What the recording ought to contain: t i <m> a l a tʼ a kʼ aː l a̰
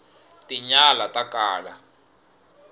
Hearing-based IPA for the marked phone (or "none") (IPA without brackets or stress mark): ɲ